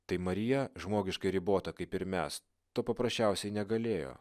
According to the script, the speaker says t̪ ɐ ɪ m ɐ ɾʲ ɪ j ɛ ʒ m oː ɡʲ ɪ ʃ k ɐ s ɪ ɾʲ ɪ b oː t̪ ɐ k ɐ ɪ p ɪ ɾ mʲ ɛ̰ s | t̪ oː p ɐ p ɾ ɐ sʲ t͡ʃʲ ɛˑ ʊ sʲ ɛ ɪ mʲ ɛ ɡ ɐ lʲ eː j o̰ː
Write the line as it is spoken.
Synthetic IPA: t̪ ɐ ɪ m ɐ ɾʲ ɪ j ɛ ʒ m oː ɡʲ ɪ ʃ k ɐ ɪ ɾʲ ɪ b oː t̪ ɐ k ɐ ɪ p ɪ ɾ mʲ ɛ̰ s | t̪ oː p ɐ p ɾ ɐ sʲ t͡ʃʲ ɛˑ ʊ sʲ ɛ ɪ nʲ ɛ ɡ ɐ lʲ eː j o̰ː